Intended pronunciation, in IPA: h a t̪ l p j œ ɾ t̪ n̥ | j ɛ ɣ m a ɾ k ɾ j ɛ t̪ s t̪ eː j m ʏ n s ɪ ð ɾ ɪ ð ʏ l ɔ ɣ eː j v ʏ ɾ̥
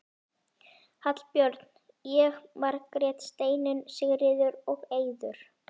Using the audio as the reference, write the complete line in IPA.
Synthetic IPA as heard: h a t̪ l p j œ ɾ t̪ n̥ | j ɛ ɣ m a ɾ k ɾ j ɛ t̪ s t̪ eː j n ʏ n s ɪ ɣ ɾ ɪ ð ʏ ɾ ɔ ɣ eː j ð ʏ ɾ̥